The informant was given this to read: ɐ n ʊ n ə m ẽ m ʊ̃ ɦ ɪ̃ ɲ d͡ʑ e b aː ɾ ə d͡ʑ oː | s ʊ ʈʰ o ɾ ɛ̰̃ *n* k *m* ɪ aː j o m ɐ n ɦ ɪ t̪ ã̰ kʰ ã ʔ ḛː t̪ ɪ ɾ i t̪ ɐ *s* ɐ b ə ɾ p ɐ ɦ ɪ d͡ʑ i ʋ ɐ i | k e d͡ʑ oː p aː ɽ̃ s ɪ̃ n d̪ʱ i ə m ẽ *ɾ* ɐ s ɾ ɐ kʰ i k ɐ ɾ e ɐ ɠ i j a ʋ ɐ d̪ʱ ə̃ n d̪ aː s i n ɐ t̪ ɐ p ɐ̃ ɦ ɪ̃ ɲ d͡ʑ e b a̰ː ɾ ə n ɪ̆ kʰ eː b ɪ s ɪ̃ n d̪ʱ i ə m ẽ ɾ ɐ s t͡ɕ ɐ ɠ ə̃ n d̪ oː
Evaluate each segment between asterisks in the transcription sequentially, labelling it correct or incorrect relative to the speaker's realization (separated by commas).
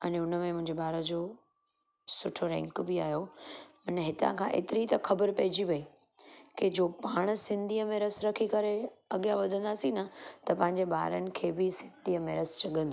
incorrect, incorrect, incorrect, correct